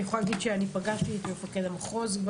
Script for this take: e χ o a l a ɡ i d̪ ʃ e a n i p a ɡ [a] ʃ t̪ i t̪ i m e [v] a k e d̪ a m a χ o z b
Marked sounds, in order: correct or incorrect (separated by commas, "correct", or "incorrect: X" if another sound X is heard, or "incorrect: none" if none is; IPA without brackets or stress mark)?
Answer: correct, incorrect: f